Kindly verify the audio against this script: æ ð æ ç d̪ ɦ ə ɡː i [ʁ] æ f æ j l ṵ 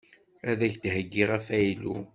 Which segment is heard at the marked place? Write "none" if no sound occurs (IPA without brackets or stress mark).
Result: ʁ